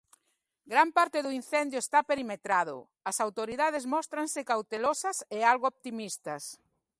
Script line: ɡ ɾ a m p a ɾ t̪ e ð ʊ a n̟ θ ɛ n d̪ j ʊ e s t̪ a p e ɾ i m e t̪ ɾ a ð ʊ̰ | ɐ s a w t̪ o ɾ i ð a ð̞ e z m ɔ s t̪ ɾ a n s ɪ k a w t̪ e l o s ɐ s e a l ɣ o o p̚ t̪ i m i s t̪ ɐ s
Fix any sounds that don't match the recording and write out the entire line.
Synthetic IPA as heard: ɡ ɾ a m p a ɾ t̪ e ð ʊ i n̟ θ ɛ n d̪ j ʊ e s t̪ a p e ɾ i m e t̪ ɾ a ð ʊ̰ | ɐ s a w t̪ o ɾ i ð a ð̞ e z m ɔ s t̪ ɾ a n s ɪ k a w t̪ e l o s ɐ s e a l ɣ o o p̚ t̪ i m i s t̪ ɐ s